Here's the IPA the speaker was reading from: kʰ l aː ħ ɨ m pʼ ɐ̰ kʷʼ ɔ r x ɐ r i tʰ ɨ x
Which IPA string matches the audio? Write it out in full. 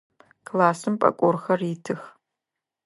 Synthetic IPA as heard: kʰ l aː s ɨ m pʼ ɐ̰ kʷʼ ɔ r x ɐ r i tʰ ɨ x

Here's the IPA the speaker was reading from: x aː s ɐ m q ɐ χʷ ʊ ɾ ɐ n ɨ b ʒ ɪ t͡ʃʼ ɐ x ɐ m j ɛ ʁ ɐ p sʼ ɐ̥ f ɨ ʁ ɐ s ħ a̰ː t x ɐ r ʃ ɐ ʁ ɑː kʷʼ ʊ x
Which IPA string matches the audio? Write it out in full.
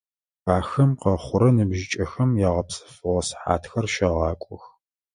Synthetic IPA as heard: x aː x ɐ m q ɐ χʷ ʊ ɾ ɐ n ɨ b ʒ ɪ t͡ʃʼ ɐ x ɐ m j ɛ ʁ ɐ p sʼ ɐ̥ f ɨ ʁ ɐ s ħ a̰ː t x ɐ r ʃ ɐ ʁ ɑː kʷʼ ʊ x

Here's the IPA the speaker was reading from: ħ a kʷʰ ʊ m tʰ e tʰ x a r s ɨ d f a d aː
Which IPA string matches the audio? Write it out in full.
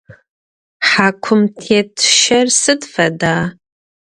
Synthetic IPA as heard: ħ a kʷʰ ʊ m tʰ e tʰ ʃ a r s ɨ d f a d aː

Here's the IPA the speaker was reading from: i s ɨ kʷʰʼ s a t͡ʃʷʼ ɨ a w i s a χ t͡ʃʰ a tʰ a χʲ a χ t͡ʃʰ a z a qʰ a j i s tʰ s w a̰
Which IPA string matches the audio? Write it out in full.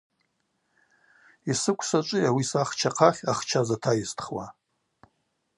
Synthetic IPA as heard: i s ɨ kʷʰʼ s a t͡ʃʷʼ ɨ a w i s a χ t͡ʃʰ a qʰ a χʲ a χ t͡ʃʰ a z a tʰ a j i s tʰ χ w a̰

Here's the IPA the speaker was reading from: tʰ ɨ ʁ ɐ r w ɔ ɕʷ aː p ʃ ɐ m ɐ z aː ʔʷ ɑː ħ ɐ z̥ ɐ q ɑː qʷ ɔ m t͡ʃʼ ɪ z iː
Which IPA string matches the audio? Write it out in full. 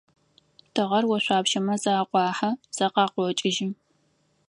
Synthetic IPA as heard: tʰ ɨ ʁ ɐ r w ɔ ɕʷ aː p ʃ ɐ m ɐ z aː qʷ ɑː ħ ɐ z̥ ɐ q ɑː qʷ ɔ t͡ʃʼ ɪ ʒ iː

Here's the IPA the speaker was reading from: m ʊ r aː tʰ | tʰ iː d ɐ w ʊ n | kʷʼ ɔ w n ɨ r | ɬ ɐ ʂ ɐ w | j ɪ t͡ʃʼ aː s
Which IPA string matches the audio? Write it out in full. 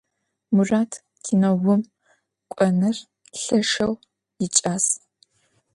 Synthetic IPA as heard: m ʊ r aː tʰ | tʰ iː n ɐ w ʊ m | kʷʼ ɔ n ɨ r | ɬ ɐ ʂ ɐ w | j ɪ t͡ʃʼ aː s

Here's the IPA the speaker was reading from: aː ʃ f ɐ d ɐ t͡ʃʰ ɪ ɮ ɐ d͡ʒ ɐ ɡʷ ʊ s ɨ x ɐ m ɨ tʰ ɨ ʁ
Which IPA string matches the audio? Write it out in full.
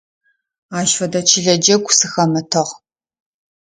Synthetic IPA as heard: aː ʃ f ɐ d ɐ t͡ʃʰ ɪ ɮ ɐ d͡ʒ ɐ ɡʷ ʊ s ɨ x ɐ m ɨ tʰ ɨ ʁ

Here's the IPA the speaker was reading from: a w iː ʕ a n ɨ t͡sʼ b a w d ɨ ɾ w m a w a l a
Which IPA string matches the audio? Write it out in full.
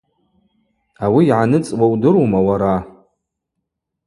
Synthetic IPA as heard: a w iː ʕ a n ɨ t͡sʼ w a w d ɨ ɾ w m a w a ɾ a

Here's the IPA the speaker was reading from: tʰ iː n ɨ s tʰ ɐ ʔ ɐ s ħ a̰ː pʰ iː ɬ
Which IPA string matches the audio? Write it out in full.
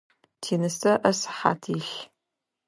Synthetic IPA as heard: tʰ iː n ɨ s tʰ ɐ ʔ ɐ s ħ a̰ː tʰ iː ɬ

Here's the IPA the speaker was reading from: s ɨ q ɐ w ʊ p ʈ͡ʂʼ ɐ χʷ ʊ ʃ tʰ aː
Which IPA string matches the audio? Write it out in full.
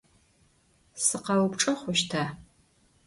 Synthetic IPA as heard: s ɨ q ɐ w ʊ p ʈ͡ʂʼ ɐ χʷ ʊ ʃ tʰ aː

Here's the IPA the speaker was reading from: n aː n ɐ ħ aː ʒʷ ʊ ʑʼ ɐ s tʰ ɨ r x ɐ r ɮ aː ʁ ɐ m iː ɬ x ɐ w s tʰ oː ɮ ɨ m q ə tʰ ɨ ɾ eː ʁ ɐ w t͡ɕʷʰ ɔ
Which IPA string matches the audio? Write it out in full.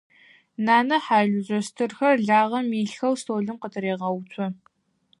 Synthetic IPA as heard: n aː n ɐ ħ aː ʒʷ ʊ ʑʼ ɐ s tʰ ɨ r x ɐ r ɮ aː ʁ ɐ m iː ɬ x ɐ w s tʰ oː ɮ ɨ m q ə tʰ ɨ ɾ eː ʁ ɐ w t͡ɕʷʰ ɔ

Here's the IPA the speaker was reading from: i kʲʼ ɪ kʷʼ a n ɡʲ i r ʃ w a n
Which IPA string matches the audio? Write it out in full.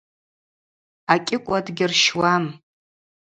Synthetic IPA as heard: a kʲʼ ɪ kʷʼ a d ɡʲ ɪ r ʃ w a m

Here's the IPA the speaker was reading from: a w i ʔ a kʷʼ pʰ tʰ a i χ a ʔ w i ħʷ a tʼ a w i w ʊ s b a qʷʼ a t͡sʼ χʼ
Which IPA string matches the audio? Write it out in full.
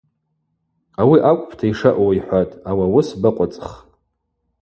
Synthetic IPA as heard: a w i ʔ a kʷʼ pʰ tʰ a i ʂ a ʔ w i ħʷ a tʼ a w a w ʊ s b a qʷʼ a t͡sʼ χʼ

